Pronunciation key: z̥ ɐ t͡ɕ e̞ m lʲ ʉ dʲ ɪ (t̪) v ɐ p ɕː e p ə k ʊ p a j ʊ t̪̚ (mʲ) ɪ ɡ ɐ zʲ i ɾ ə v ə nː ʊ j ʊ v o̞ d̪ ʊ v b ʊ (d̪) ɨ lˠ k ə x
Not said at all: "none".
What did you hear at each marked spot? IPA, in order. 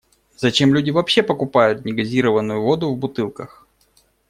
none, nʲ, t̪

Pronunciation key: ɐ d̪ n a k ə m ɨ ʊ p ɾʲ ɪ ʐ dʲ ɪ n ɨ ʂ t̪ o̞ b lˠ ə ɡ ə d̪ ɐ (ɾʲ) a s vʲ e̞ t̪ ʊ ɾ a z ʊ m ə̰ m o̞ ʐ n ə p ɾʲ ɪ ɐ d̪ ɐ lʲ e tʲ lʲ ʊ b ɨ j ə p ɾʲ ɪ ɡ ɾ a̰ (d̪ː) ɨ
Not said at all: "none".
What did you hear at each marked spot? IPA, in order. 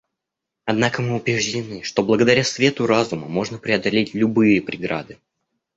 ɾʲ, d̪

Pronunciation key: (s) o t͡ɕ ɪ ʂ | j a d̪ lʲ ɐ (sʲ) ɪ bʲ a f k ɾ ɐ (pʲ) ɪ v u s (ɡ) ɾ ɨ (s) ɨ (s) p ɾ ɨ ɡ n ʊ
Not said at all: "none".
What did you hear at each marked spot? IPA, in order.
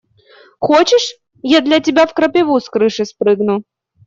x, tʲ, pʲ, k, ʂ, s

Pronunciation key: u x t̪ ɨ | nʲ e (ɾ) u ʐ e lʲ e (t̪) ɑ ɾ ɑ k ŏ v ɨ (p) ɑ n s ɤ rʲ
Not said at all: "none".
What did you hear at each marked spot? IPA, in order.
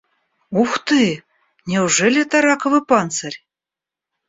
none, t̪, p

